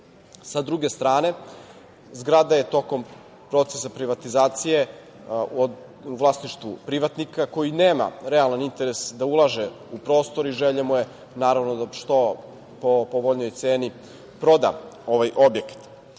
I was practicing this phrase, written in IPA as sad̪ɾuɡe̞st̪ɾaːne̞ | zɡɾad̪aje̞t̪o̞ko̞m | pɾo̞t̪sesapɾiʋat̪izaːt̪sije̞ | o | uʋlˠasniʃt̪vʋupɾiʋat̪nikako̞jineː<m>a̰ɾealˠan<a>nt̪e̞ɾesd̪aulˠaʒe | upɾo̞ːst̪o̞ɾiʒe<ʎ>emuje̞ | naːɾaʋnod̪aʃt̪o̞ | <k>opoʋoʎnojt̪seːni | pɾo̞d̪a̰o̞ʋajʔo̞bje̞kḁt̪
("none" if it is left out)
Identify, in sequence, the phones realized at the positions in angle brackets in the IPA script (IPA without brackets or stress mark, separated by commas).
m, i, ʎ, p